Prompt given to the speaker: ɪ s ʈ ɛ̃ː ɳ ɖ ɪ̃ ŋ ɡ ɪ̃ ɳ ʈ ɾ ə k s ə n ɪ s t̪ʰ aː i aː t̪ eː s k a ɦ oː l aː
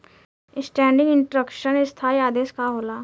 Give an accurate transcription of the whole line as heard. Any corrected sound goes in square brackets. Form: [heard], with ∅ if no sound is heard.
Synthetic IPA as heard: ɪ s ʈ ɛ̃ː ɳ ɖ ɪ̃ ŋ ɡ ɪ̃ ɳ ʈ ɾ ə k [ʃ] ə n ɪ s t̪ʰ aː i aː [d̪] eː s k a ɦ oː l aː